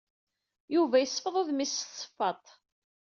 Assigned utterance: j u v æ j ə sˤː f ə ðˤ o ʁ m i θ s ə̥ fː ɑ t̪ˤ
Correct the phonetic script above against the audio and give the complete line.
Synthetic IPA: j u v æ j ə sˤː f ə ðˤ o ð m i s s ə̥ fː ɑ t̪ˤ